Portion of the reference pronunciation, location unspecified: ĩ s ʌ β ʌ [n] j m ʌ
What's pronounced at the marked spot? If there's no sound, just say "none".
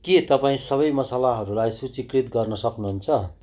none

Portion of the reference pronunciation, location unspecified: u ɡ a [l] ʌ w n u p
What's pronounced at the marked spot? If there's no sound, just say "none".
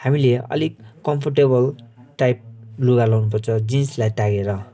l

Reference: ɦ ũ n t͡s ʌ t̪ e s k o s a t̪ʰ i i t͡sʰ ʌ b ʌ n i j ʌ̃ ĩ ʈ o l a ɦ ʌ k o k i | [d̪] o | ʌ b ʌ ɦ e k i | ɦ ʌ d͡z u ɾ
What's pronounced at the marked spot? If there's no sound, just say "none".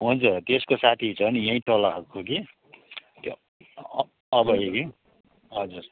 t̪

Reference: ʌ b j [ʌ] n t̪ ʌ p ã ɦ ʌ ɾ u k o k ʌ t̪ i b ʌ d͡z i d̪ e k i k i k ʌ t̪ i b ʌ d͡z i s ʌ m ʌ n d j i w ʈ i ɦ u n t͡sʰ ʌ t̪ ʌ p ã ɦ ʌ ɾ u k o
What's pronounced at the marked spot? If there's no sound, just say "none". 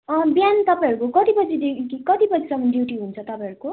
a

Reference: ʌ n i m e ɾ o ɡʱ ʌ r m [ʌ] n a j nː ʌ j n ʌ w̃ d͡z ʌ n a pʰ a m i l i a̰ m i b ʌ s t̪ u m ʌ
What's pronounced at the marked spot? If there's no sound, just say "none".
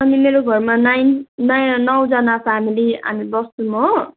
a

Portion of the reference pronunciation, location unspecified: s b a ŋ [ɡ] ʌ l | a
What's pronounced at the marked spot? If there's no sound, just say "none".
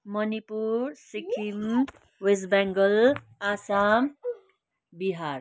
ɡ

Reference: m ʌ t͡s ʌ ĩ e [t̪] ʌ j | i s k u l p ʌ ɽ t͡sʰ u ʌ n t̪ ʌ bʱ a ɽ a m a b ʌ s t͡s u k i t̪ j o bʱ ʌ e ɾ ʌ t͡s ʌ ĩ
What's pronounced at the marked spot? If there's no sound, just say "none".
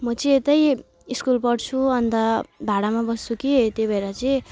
t̪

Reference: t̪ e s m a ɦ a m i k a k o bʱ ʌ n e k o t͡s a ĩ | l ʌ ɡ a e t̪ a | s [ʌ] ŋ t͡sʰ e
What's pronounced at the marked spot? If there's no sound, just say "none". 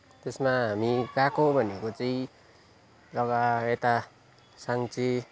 a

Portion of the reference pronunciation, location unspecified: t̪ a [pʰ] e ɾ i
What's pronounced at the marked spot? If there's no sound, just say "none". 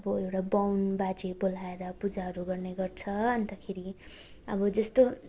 kʰ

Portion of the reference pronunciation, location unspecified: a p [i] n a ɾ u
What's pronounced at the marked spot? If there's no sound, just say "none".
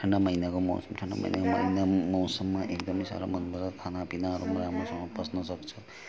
i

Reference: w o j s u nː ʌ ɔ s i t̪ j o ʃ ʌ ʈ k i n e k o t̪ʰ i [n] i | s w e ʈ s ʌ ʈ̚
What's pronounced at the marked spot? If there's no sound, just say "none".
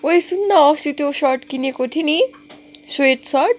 n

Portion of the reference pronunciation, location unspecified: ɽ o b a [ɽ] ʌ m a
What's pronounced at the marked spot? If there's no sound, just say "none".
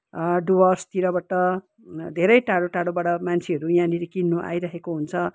ɽ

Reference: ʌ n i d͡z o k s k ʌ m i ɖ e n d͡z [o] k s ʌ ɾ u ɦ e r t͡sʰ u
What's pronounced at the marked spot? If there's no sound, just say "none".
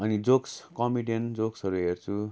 o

